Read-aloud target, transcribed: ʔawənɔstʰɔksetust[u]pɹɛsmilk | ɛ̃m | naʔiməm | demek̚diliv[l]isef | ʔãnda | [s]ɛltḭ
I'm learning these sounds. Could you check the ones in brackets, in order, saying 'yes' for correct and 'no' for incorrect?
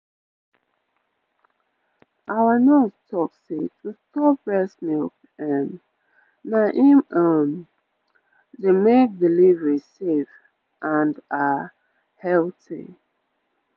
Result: no, no, no

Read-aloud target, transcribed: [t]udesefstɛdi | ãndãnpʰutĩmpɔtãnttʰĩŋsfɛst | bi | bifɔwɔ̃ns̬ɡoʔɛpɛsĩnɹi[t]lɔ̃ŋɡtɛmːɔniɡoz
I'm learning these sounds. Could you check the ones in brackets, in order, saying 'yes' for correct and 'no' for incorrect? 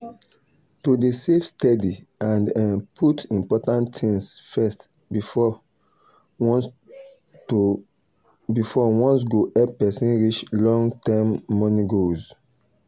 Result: yes, no

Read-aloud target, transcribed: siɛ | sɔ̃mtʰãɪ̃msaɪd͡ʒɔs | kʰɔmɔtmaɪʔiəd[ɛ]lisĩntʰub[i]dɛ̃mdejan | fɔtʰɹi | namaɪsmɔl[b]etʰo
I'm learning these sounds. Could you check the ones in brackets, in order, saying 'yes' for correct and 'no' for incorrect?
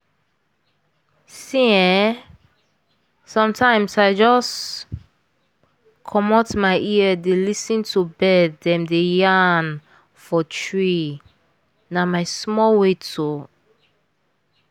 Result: no, no, no

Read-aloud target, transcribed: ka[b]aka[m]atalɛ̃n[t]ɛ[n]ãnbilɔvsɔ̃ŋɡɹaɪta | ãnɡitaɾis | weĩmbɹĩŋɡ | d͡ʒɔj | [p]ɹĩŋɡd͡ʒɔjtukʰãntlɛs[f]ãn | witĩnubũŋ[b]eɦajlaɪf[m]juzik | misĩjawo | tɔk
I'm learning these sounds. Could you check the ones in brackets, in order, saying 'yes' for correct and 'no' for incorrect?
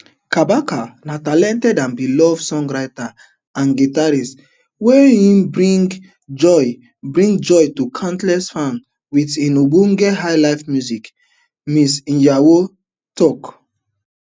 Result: yes, no, yes, no, no, yes, no, yes

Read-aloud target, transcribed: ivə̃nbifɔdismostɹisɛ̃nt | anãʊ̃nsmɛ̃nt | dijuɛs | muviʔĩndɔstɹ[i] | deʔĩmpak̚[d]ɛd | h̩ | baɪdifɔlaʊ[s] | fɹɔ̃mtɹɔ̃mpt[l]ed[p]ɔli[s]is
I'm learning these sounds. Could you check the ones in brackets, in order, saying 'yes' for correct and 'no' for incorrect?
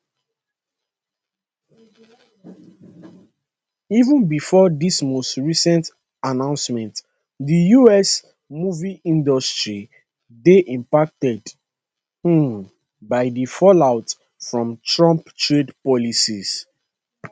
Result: yes, no, no, no, yes, yes

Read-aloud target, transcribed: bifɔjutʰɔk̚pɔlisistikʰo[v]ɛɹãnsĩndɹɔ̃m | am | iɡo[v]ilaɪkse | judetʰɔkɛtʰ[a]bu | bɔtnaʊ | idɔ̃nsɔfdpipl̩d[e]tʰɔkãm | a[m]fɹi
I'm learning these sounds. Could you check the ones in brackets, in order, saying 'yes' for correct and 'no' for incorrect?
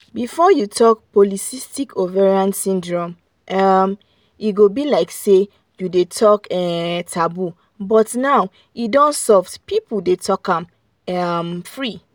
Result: yes, no, yes, yes, yes

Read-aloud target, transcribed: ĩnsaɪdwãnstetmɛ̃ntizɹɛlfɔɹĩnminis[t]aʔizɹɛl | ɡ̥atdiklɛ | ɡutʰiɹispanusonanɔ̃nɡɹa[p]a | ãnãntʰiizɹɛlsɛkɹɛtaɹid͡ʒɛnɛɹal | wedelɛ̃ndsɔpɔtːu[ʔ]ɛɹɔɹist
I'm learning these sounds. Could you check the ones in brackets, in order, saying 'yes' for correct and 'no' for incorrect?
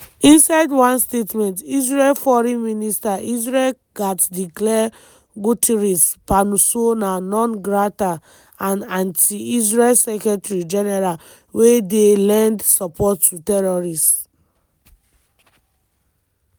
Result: yes, no, no

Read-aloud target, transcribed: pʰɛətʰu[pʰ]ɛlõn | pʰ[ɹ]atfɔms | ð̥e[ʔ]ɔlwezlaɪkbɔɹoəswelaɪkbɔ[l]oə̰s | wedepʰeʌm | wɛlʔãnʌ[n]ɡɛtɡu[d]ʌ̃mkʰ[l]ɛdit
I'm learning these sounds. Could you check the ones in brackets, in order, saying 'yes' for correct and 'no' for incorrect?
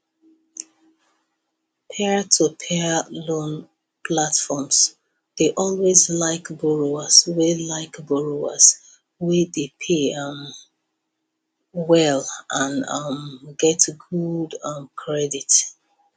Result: yes, no, yes, no, no, yes, no

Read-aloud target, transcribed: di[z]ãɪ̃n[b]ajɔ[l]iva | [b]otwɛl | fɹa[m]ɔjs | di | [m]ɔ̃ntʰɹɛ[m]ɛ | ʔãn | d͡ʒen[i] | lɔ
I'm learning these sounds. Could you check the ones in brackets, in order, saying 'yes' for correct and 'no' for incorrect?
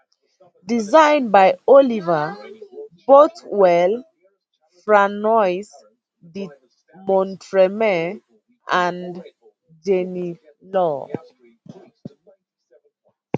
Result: yes, yes, yes, yes, no, yes, yes, yes

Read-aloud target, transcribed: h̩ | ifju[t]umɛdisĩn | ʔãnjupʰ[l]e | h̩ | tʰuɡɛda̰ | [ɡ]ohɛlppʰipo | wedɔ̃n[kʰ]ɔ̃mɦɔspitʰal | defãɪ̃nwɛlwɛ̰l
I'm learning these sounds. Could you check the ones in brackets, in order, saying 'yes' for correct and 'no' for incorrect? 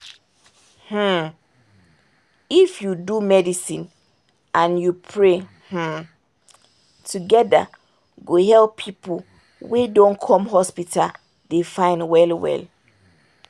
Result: no, no, yes, yes

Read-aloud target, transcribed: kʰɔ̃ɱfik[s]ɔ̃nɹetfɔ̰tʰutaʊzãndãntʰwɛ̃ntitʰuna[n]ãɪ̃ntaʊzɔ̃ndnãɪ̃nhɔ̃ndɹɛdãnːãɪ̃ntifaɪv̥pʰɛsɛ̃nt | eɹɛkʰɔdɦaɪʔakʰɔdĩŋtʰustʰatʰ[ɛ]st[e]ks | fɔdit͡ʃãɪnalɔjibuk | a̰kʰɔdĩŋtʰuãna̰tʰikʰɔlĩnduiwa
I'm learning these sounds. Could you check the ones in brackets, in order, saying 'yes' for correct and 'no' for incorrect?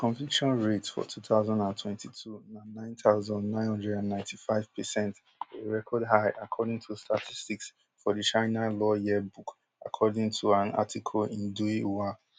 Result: no, yes, no, no

